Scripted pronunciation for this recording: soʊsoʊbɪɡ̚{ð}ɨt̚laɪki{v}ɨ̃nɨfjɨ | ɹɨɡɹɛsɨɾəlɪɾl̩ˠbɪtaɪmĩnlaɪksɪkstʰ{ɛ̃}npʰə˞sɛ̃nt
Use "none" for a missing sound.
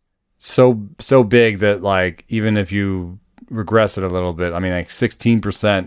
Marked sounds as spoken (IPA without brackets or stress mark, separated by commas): ð, v, ĩ